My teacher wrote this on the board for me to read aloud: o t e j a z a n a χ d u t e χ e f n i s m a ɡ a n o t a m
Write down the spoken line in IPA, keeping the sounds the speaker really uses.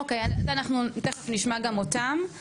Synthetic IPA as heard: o k e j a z a n a χ n u t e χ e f n i ʃ m a ɡ a m o t a m